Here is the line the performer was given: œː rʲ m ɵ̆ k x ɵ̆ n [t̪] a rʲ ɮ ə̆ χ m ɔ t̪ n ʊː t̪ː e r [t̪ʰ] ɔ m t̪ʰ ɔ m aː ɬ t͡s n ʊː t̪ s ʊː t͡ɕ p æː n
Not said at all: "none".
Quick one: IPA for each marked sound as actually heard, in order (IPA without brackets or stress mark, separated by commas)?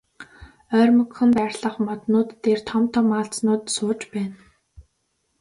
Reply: t̪, t̪ʰ